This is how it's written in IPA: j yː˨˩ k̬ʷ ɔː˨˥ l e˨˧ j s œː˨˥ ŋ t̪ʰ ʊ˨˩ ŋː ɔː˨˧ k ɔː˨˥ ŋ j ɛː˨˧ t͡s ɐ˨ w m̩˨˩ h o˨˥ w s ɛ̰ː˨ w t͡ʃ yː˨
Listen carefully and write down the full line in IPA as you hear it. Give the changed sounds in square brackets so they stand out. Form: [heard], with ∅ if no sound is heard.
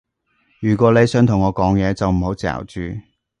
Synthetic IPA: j yː˨˩ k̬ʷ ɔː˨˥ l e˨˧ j s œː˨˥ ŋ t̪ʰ ʊ˨˩ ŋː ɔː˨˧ k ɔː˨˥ ŋ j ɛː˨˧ t͡s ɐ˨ w m̩˨˩ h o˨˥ w [t͡s] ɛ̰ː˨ w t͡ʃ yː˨